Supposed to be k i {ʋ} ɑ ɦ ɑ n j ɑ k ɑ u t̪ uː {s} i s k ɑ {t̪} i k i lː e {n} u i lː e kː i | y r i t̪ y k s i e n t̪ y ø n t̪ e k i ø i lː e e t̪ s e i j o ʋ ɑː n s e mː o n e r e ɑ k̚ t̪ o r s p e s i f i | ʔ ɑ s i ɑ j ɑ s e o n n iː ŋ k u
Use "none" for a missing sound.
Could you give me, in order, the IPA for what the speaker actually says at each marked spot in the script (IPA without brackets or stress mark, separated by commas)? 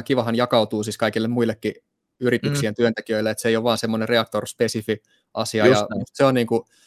ʋ, s, none, m